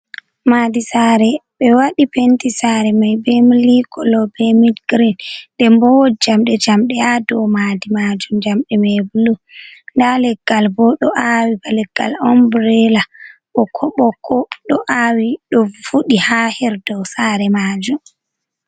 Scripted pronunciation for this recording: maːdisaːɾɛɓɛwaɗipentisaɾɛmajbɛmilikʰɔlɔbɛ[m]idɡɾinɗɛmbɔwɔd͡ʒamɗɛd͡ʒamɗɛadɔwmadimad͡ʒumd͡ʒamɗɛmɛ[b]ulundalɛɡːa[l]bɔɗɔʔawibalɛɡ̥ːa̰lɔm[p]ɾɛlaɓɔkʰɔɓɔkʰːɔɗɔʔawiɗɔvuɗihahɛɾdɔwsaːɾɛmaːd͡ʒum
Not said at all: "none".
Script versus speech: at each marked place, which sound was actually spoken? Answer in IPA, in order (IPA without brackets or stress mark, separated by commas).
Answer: m, b, l, b